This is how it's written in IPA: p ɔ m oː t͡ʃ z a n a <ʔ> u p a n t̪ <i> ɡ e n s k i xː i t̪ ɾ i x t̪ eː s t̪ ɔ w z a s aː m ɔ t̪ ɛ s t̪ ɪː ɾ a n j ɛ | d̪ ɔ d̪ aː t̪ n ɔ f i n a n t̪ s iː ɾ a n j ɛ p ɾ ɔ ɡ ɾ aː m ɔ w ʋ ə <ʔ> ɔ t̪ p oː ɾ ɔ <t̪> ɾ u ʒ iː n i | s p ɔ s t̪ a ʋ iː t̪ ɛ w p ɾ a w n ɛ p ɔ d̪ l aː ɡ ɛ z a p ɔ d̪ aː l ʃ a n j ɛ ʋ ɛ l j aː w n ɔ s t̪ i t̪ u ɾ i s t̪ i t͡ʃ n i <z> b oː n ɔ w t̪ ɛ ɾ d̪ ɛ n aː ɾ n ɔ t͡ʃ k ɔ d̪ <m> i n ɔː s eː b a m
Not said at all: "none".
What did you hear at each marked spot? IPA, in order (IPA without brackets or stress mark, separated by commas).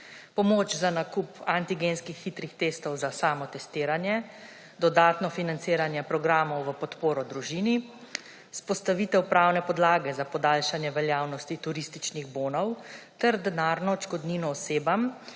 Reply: k, i, p, d̪, ɣ, n